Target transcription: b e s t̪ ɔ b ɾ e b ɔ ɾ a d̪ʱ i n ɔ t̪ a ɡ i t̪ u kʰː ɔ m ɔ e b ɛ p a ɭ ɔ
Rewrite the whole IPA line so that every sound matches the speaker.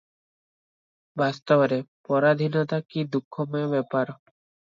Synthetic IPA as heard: b a s t̪ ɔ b ɾ e p ɔ ɾ a d̪ʱ i n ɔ t̪ a k i d̪ u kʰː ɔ m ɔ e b ɛ p a ɾ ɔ